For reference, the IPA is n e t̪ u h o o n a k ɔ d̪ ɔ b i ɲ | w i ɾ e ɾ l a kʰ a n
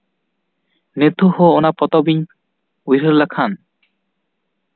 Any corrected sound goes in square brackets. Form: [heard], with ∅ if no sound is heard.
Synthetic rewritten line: n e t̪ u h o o n a [p] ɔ [t̪] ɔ b i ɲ | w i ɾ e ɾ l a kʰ a n